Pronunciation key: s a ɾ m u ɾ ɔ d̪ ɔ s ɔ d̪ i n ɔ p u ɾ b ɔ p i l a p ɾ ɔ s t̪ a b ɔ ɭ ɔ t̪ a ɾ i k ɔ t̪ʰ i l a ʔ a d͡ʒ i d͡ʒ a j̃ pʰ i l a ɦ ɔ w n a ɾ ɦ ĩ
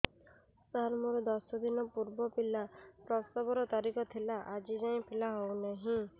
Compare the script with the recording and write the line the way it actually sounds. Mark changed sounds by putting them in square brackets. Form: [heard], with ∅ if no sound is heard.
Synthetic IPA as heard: s a ɾ m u ɾ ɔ d̪ ɔ s ɔ d̪ i n ɔ p u ɾ b ɔ p i l a p ɾ ɔ s t̪ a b ɔ [ɾ] ɔ t̪ a ɾ i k ɔ t̪ʰ i l a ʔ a d͡ʒ i d͡ʒ a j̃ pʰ i l a ɦ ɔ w n a [∅] ɦ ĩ